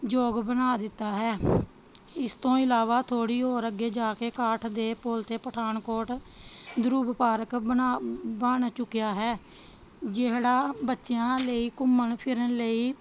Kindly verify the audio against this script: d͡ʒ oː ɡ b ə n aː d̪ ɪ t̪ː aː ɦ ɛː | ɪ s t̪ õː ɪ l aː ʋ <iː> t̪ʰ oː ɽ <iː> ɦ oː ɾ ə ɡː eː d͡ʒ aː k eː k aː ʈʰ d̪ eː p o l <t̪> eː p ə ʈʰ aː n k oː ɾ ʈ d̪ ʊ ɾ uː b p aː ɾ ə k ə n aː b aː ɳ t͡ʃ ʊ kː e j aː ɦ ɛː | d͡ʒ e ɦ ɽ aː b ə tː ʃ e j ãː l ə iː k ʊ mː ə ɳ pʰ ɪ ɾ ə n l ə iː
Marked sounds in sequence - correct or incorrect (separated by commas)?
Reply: incorrect, correct, correct